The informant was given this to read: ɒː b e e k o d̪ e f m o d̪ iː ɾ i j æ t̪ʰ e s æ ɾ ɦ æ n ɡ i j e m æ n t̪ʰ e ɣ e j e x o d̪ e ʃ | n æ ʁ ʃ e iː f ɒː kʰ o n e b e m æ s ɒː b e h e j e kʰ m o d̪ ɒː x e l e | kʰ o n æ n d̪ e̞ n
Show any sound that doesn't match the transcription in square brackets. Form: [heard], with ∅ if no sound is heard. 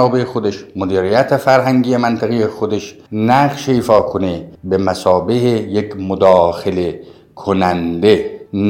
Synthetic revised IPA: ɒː b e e [x] o d̪ e [ʃ] m o d̪ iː ɾ i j æ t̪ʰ e [f] æ ɾ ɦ æ [ŋ] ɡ i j e m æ n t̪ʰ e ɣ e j e x o d̪ e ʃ | n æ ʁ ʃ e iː f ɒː kʰ o n e b e m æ s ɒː b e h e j e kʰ m o d̪ ɒː x e l e | kʰ o n æ n d̪ e̞ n